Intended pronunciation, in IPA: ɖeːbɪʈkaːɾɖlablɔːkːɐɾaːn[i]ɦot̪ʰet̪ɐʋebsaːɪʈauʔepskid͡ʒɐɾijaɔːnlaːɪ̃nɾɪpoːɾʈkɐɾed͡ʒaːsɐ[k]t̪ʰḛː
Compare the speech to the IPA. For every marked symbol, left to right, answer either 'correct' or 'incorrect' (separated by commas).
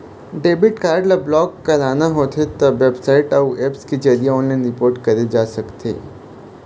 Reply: incorrect, correct